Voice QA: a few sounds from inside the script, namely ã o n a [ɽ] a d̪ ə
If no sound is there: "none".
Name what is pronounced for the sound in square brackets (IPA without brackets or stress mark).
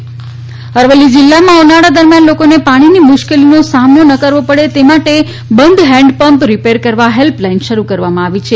ɽ